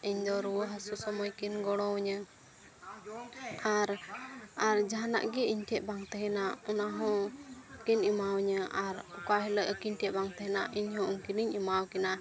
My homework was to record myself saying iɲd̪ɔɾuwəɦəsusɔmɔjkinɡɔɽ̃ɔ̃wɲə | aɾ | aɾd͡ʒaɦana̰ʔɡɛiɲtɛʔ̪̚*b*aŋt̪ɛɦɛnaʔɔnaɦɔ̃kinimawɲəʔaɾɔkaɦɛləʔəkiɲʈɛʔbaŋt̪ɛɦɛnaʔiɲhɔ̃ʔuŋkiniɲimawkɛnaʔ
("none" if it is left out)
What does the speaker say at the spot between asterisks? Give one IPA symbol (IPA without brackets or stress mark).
b